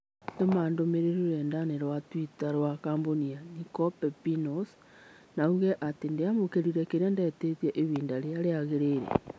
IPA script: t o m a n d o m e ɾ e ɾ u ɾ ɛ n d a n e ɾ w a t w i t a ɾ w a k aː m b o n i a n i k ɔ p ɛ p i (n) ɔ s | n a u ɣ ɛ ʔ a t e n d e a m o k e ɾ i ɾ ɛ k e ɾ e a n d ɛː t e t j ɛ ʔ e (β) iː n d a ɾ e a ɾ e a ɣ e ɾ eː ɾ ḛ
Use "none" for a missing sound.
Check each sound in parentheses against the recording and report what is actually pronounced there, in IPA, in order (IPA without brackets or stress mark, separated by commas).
n, β